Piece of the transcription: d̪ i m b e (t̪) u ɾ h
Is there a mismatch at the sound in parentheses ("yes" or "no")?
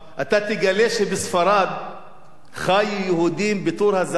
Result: no